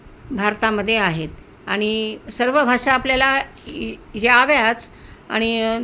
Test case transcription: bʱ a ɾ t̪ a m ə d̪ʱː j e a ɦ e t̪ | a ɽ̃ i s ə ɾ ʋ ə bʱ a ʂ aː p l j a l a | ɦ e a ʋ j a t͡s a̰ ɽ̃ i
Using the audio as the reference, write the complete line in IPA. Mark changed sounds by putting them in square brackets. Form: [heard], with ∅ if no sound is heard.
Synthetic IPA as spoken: bʱ a ɾ t̪ a m ə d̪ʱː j e a ɦ e t̪ | a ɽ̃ i s ə ɾ ʋ ə bʱ a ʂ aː p l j a l a | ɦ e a ʋ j a t͡s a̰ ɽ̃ i